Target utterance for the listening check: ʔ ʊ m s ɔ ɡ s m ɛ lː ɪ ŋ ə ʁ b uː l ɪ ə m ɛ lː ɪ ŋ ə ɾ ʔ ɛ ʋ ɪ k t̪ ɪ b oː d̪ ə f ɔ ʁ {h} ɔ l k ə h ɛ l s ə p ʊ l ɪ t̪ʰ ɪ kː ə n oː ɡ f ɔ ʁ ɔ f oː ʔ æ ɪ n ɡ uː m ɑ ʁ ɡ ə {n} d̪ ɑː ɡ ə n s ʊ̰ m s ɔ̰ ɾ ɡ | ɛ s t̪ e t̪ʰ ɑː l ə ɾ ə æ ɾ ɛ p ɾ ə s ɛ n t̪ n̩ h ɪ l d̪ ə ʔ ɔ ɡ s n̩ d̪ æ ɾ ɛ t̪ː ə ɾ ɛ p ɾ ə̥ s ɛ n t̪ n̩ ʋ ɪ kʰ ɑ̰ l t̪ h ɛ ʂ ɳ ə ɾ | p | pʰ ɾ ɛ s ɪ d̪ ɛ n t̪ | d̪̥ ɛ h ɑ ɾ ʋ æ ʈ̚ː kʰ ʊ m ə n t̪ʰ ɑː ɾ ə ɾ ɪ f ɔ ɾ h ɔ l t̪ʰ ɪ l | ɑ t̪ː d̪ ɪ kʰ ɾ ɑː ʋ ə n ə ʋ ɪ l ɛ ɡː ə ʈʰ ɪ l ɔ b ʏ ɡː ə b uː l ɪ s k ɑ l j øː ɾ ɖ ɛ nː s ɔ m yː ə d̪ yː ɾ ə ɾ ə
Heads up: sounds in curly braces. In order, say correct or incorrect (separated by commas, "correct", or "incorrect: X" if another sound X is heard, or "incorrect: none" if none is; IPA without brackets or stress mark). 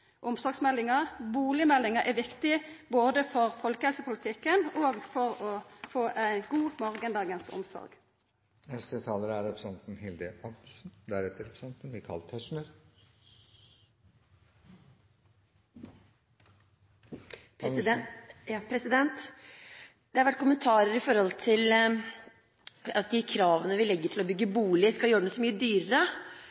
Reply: incorrect: f, correct